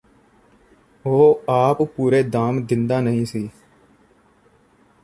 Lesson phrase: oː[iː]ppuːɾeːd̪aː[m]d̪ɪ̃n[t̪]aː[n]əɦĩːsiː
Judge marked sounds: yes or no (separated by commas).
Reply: no, yes, no, yes